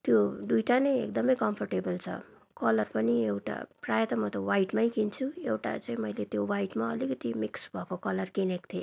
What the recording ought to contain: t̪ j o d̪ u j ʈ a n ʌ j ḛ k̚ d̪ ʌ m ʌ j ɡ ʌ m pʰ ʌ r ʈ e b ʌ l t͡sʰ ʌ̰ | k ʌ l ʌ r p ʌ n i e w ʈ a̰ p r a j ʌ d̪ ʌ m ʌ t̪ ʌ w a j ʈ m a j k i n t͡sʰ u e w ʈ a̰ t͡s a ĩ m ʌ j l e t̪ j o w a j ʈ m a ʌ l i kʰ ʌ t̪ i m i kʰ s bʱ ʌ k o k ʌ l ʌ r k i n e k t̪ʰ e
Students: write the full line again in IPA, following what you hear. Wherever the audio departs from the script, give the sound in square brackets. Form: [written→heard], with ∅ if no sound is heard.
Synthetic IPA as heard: t̪ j o d̪ u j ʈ a n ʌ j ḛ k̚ d̪ ʌ m ʌ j [ɡ→k] ʌ m pʰ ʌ r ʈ e b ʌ l t͡sʰ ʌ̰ | k ʌ l ʌ r p ʌ n i e w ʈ a̰ p r a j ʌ [d̪→t̪] ʌ m ʌ t̪ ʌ w a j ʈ m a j k i n t͡sʰ u e w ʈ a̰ t͡s a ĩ m ʌ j l e t̪ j o w a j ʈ m a ʌ l i [kʰ→k] ʌ t̪ i m i [kʰ→k] s bʱ ʌ k o k ʌ l ʌ r k i n e k t̪ʰ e